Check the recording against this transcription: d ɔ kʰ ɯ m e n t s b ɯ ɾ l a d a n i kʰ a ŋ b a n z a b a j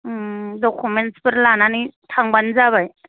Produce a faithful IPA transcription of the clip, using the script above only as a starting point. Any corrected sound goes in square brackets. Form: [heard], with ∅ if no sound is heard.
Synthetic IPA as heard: d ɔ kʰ [u] m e n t s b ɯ ɾ l a [n] a n i [tʰ] a ŋ b a n z a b a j